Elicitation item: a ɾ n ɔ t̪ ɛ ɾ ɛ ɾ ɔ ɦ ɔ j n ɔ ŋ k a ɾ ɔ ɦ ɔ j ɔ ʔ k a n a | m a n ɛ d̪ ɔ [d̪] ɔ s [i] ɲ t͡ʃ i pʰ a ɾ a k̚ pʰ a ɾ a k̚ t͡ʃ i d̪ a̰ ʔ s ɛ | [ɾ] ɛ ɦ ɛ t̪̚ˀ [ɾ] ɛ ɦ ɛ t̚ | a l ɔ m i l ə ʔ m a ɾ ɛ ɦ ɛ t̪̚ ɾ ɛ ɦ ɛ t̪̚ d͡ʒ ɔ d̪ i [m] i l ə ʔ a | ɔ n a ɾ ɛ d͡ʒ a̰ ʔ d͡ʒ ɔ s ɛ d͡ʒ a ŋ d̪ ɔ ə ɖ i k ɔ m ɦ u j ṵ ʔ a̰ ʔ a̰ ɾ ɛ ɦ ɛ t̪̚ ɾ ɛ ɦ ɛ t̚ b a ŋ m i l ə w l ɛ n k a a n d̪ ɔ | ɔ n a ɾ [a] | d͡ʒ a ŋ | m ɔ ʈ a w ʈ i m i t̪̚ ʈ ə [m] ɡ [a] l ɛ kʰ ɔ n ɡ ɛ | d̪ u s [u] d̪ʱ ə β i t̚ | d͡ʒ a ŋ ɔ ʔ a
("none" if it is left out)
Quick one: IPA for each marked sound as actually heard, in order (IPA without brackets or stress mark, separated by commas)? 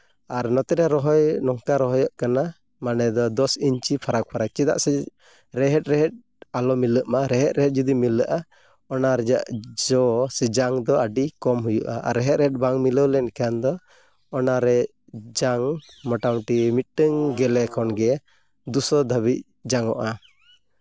d̪, i, ɾ, ɾ, m, ɛ, ŋ, ɛ, ɔ